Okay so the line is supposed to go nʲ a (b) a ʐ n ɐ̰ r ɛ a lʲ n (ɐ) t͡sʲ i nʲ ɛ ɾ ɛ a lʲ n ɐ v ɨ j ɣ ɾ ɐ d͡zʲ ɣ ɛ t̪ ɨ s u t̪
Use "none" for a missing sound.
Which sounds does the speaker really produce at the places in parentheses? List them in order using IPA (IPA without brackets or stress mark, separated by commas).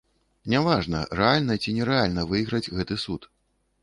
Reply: v, ɐ